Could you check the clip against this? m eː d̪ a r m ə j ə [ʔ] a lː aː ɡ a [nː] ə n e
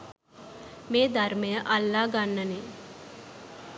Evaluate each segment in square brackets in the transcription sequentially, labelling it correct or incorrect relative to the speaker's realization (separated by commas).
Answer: correct, correct